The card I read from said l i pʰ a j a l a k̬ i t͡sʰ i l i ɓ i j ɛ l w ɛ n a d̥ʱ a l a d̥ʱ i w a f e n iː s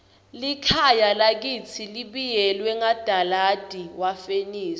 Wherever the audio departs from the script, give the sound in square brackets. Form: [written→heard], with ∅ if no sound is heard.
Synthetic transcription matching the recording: l i [pʰ→kʰ] a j a l a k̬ i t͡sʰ i l i ɓ i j ɛ l w ɛ [n→ŋ] a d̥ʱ a l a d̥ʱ i w a f e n iː s